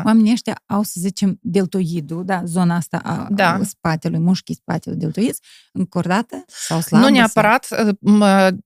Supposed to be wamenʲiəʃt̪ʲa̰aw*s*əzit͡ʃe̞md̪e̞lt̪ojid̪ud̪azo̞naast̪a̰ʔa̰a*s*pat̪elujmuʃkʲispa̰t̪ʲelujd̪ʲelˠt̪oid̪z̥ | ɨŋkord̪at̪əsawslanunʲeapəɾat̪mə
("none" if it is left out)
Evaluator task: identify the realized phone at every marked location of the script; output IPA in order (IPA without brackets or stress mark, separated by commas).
s, s